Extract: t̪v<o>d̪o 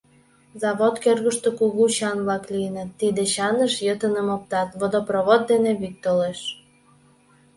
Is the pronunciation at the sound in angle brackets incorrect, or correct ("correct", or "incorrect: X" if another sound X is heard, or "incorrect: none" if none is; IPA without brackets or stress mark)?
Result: correct